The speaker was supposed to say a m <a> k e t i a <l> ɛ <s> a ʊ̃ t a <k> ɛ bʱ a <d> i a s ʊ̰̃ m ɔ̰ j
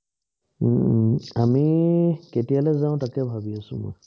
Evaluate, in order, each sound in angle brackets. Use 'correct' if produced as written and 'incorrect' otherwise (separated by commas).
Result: incorrect, correct, incorrect, correct, incorrect